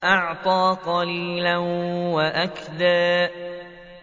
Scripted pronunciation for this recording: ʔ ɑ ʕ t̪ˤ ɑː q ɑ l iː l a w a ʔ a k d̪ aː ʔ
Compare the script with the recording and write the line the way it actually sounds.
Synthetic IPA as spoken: ʔ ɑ ʕ t̪ˤ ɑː q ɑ l iː l a w a ʔ a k d̪ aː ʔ